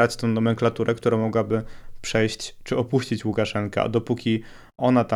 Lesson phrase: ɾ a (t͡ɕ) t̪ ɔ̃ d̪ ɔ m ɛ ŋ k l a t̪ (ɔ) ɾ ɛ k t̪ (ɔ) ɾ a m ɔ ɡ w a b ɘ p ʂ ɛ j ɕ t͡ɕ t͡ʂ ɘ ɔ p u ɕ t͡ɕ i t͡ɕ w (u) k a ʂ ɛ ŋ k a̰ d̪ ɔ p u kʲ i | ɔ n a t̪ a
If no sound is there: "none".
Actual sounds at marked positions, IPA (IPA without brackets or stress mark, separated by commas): t͡ɕ, u, u, u